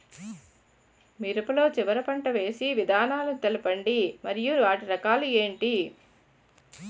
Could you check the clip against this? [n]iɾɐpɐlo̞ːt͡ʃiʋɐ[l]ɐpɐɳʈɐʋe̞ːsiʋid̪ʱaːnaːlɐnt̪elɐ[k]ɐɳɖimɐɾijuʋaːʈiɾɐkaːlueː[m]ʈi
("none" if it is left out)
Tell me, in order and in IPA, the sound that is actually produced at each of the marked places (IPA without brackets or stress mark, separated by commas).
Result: m, ɾ, p, ɳ